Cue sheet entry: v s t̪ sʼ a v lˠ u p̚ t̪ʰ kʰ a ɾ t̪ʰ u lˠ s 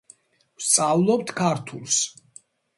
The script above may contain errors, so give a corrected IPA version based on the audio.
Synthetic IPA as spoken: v s t̪ sʼ a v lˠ ɔ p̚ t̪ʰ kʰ a ɾ t̪ʰ u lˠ s